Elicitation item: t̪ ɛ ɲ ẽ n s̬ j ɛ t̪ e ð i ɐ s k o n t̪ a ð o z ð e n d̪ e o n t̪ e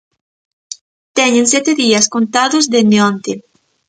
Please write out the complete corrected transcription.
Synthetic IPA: t̪ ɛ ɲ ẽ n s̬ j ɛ t̪ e ð i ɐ s k o n t̪ a ð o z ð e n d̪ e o n t̪ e